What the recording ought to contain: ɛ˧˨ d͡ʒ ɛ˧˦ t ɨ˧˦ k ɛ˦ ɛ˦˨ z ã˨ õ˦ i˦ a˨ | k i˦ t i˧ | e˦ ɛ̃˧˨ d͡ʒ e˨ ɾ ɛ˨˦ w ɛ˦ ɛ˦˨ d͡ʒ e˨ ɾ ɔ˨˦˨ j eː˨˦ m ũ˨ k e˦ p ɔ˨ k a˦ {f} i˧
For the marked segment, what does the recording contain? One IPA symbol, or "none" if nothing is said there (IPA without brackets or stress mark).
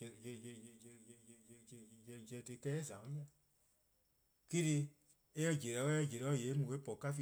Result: f